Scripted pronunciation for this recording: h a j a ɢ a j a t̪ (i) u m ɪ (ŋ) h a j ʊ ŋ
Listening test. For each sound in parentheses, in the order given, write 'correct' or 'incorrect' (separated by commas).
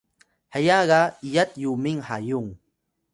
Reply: incorrect, correct